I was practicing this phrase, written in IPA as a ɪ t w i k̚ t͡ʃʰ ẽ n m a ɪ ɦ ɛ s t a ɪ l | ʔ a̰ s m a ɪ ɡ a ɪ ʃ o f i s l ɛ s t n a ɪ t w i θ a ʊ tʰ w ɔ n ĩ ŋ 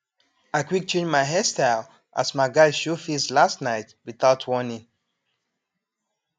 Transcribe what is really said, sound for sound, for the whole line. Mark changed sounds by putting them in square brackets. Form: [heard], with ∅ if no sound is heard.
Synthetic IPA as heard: a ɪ [k] w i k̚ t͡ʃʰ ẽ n m a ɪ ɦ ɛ s t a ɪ l | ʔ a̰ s m a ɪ ɡ a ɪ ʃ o f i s l [a] s t n a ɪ t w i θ a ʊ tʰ w ɔ n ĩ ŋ